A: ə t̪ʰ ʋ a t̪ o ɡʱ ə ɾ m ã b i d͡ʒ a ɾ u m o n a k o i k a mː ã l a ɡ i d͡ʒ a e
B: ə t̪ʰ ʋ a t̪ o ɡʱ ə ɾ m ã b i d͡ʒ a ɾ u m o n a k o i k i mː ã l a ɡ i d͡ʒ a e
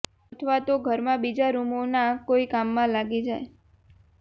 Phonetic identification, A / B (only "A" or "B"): A